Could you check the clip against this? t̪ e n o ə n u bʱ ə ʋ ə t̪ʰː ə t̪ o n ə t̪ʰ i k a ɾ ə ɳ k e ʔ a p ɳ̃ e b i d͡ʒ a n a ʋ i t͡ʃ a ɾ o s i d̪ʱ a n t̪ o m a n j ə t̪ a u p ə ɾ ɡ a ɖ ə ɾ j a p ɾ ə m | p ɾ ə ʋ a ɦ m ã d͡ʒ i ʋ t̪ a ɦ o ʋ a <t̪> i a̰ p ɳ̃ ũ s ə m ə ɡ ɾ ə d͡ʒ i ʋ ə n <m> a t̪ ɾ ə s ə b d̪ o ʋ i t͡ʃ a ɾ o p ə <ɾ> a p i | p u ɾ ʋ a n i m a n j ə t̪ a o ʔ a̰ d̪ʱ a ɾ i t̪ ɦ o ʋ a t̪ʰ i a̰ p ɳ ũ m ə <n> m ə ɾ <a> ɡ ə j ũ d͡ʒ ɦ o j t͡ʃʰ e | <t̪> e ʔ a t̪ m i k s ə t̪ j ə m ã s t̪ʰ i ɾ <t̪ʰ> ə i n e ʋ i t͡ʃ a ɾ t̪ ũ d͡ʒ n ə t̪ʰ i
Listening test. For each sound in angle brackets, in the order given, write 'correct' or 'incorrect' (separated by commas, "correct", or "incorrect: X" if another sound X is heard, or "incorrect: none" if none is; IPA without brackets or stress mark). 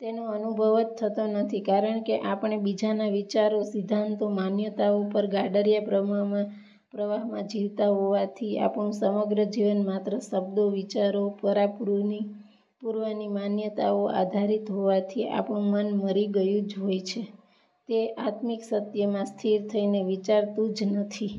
incorrect: t̪ʰ, correct, correct, correct, incorrect: i, correct, correct